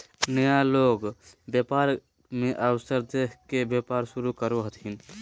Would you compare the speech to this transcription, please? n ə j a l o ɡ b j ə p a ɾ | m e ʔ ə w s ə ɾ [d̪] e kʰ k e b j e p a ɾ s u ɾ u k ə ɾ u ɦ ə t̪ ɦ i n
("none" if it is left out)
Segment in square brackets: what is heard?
d̪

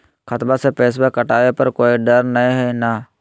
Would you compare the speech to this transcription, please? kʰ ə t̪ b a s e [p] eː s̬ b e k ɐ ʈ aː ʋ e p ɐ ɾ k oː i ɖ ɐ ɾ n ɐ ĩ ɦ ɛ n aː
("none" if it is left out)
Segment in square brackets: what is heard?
p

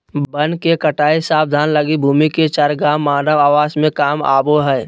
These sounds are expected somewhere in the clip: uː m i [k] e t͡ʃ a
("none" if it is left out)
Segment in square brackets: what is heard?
k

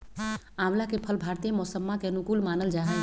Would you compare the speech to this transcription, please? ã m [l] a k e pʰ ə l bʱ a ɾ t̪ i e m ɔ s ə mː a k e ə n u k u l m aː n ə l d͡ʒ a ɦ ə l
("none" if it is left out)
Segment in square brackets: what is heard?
l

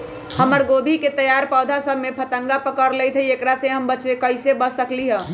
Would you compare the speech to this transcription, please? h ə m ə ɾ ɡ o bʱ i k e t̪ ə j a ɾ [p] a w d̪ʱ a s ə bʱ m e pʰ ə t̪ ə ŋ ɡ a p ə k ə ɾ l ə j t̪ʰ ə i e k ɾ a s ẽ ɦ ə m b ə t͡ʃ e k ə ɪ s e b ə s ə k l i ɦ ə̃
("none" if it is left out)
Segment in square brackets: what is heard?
p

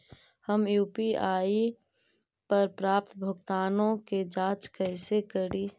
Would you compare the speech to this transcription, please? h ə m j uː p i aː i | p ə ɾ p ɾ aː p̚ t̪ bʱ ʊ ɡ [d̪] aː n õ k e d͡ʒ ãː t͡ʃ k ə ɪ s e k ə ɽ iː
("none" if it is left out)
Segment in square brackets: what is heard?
t̪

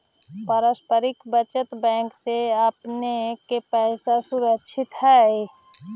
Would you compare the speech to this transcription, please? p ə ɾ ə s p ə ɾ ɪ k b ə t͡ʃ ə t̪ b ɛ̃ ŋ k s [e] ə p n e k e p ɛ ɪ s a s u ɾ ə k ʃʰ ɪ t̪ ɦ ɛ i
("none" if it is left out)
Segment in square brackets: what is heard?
e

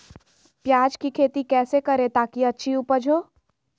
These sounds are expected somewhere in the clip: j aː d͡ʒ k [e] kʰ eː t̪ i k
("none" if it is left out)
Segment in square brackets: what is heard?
i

